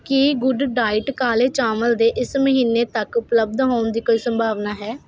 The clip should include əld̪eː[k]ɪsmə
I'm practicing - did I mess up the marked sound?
yes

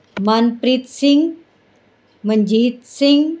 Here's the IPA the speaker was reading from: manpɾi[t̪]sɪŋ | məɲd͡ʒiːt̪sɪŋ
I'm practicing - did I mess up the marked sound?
no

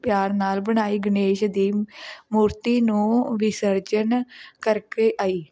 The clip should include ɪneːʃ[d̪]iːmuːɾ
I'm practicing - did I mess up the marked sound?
no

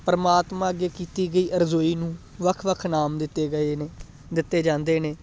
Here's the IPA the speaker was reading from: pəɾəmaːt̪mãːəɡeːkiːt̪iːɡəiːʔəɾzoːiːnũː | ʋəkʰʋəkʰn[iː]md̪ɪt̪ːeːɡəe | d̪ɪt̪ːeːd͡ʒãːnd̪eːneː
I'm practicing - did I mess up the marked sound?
yes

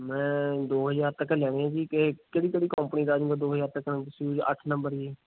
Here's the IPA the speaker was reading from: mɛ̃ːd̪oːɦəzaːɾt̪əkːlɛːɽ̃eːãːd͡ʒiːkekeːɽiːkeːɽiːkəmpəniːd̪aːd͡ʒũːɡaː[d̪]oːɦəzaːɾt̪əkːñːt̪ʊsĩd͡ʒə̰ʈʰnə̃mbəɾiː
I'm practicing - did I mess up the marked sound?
no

